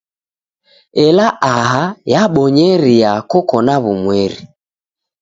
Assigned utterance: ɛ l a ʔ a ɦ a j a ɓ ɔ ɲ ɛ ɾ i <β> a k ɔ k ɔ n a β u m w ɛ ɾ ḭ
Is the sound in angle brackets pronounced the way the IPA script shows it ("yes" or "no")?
no